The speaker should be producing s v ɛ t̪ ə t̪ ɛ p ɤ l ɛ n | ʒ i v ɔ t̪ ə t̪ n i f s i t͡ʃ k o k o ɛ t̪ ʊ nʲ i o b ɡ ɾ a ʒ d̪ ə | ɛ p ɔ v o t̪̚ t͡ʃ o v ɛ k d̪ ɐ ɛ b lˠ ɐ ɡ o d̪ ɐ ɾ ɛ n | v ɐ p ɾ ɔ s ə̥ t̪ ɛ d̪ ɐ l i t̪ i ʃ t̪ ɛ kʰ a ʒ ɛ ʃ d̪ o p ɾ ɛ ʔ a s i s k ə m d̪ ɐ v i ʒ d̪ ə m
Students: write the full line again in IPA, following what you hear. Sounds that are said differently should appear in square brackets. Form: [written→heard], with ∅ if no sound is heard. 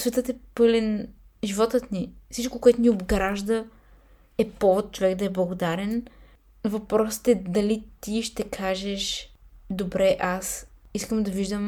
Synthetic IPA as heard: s v ɛ t̪ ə t̪ ɛ p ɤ l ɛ n | ʒ i v ɔ t̪ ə t̪ n i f s i t͡ʃ k o k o ɛ t̪ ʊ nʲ i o b ɡ ɾ a ʒ d̪ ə | ɛ p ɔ v o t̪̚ t͡ʃ o v ɛ k d̪ ɐ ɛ b lˠ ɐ ɡ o d̪ [ɐ→a] ɾ ɛ n | v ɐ p ɾ ɔ s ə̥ t̪ ɛ d̪ ɐ l i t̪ i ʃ t̪ ɛ kʰ a ʒ ɛ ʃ d̪ o [p→b] ɾ ɛ ʔ a s i s k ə m d̪ ɐ v i ʒ d̪ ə m